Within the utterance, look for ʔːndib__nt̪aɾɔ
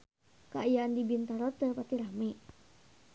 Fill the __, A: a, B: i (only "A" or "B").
B